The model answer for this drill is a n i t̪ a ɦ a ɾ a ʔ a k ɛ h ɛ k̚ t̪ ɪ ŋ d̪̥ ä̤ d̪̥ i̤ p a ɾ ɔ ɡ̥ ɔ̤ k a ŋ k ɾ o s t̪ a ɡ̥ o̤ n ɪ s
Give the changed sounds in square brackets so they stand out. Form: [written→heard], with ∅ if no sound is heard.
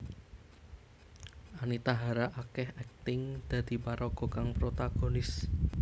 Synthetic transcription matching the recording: a n i t̪ a ɦ a ɾ a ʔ a k ɛ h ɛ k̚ t̪ ɪ ŋ d̪̥ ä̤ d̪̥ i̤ p a ɾ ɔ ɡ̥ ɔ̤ k a ŋ [k→p] ɾ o [s→∅] t̪ a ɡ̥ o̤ n ɪ s